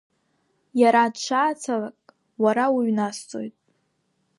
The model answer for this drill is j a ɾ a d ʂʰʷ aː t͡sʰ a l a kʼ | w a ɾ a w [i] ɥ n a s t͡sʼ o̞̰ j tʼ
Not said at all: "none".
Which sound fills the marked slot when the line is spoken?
i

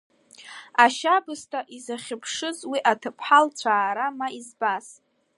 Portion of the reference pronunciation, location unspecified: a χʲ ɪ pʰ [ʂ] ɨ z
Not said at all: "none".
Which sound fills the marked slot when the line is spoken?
ʂ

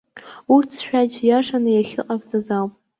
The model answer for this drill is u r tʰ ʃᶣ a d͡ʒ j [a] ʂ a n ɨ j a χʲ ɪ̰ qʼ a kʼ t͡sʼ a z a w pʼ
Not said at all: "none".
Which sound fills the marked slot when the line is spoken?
a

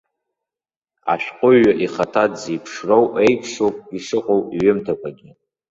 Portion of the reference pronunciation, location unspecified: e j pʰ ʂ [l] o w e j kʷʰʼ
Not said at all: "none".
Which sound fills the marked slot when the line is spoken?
r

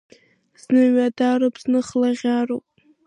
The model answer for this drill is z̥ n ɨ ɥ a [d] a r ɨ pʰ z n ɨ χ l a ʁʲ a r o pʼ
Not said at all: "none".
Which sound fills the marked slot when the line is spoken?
d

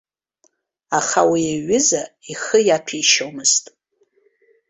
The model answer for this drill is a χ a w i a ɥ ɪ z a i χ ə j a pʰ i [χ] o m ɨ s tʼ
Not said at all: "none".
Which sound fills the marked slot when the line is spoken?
ʃ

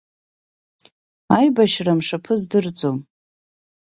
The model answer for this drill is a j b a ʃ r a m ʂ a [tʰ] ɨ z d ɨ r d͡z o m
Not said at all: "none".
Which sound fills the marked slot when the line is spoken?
pʰ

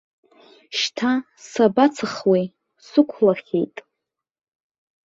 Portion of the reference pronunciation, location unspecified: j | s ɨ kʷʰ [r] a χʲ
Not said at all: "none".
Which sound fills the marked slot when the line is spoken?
l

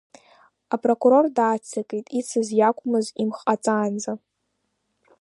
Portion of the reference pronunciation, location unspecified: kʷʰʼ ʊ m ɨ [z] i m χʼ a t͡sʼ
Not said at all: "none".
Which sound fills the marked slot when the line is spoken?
z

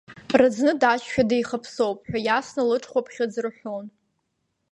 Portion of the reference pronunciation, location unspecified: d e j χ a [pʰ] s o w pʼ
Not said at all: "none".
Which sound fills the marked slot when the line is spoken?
pʰ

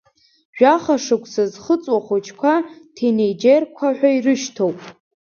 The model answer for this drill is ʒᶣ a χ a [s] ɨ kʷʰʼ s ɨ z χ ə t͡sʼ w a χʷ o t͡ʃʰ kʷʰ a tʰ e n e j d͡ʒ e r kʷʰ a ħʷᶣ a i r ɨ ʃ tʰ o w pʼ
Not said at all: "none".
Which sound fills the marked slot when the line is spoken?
ʂ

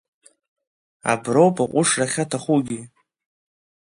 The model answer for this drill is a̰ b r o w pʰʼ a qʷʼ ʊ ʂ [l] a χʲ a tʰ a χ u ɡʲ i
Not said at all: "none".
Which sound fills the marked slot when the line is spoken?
r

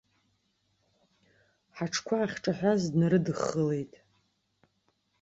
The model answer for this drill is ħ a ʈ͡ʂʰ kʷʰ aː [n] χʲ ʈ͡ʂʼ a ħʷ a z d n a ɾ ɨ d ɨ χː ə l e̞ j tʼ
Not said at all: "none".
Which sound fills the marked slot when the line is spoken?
none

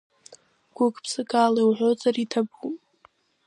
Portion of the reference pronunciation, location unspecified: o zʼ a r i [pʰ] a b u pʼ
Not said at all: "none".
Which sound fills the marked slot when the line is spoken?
tʰ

